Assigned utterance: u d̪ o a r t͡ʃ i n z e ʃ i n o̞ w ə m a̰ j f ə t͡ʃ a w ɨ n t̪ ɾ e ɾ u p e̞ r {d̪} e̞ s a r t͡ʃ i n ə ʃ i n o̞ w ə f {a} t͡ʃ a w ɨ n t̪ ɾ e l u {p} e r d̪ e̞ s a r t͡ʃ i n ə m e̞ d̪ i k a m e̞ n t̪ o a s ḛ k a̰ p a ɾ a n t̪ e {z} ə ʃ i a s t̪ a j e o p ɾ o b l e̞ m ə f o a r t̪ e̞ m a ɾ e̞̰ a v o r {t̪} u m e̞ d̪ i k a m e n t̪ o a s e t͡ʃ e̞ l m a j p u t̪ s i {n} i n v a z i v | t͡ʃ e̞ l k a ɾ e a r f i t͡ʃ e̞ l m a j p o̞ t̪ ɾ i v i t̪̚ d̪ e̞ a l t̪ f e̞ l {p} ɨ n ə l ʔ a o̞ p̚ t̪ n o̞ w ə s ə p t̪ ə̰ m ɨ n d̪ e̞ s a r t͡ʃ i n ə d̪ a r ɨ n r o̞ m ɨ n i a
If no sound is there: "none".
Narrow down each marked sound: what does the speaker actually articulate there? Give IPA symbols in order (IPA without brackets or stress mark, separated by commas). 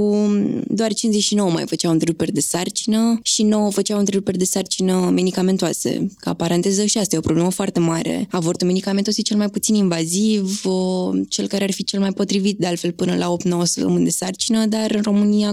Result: d̪, ə, p, z, t̪, n, p